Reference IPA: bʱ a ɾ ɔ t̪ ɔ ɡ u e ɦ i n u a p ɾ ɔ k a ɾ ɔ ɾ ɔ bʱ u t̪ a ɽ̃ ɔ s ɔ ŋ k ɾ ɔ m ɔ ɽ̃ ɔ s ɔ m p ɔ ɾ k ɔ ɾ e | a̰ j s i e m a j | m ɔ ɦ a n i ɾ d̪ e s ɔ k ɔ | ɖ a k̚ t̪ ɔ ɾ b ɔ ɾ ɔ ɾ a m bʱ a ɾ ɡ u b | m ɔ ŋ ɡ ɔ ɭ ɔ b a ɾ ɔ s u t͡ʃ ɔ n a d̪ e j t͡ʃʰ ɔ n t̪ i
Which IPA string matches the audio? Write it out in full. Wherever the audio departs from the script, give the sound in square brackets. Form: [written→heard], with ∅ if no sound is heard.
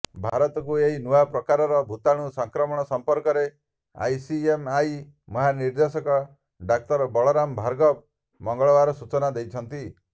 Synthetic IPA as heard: bʱ a ɾ ɔ t̪ ɔ [ɡ→k] u e ɦ i n u a p ɾ ɔ k a ɾ ɔ ɾ ɔ bʱ u t̪ a ɽ̃ [ɔ→u] s ɔ ŋ k ɾ ɔ m ɔ ɽ̃ ɔ s ɔ m p ɔ ɾ k ɔ ɾ e | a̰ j s i e m a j | m ɔ ɦ a n i ɾ d̪ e s ɔ k ɔ | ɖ a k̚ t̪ ɔ ɾ b ɔ [ɾ→ɭ] ɔ ɾ a m bʱ a ɾ ɡ [u→ɔ] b | m ɔ ŋ ɡ ɔ ɭ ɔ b a ɾ ɔ s u t͡ʃ ɔ n a d̪ e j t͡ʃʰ ɔ n t̪ i